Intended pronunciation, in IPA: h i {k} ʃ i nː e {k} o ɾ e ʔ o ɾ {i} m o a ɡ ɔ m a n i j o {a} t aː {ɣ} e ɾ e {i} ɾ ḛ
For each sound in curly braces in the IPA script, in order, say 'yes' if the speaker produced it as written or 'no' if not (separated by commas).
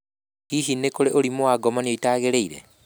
no, yes, yes, no, yes, yes